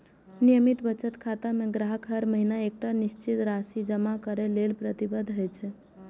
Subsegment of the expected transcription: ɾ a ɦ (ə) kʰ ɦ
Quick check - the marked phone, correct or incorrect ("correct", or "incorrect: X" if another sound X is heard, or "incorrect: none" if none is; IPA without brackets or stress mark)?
correct